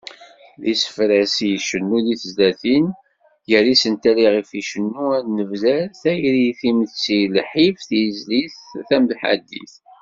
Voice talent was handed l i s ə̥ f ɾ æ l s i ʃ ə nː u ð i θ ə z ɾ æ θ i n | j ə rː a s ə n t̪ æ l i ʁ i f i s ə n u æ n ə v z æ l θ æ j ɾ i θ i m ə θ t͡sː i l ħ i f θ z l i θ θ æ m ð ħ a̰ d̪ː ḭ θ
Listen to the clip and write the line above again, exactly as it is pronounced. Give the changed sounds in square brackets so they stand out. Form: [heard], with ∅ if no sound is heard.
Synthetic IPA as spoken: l i s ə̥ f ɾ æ [∅] s i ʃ ə nː u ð i θ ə z [l] æ θ i n | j ə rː [i] s ə n t̪ æ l i ʁ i f i [ʃ] ə [nː] u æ n ə v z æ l θ æ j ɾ i θ i m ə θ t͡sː i l ħ i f θ z l i θ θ æ m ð ħ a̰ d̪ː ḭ θ